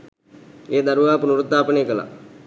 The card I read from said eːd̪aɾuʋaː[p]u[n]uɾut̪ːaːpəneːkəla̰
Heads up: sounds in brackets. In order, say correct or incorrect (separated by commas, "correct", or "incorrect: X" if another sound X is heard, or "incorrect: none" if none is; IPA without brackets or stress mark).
correct, correct